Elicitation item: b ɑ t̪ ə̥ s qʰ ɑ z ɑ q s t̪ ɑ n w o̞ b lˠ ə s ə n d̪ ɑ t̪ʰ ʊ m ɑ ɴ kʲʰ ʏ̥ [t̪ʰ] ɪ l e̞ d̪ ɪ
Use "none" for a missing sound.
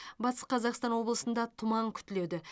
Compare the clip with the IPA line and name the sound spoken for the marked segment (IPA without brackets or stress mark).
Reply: t̪